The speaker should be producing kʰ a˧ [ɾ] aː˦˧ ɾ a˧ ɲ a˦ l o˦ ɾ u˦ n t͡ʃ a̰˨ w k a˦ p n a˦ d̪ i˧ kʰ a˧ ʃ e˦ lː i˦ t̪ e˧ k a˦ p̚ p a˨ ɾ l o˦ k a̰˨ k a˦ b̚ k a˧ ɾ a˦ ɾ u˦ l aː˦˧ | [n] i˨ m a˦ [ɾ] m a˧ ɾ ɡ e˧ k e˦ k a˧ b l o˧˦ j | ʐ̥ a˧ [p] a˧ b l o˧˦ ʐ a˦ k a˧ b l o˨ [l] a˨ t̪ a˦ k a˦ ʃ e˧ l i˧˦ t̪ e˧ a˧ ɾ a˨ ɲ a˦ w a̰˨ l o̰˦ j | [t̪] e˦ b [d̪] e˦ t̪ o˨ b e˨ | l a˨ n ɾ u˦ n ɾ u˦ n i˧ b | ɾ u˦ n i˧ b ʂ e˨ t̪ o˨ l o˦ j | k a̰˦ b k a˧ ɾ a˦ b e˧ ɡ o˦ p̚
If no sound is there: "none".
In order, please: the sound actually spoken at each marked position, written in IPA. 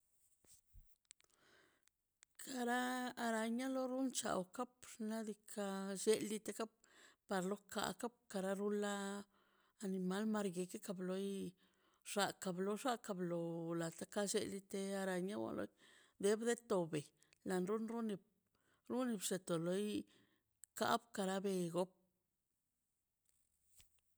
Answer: ɾ, n, l, k, l, d̪, d̪

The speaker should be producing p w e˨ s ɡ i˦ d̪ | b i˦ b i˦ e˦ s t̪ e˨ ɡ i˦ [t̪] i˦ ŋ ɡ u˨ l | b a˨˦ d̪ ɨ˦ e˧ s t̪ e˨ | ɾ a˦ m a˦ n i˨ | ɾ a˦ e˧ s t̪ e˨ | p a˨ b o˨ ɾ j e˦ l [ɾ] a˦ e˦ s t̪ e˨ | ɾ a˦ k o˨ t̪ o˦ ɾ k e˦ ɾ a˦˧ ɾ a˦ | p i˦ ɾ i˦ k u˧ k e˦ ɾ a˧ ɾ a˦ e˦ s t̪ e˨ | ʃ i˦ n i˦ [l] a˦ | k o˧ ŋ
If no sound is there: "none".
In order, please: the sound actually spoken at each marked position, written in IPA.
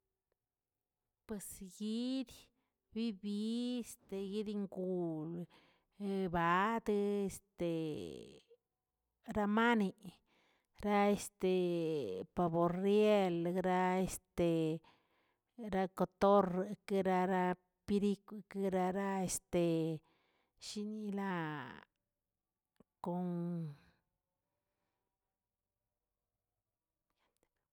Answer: d̪, ɾ, l

